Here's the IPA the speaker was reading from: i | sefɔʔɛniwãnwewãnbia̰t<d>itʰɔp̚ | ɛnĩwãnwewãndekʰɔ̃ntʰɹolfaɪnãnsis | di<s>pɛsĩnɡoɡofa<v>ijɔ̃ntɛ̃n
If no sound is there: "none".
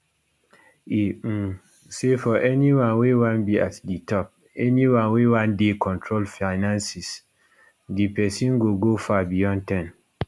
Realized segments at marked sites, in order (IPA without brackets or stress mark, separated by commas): d, none, b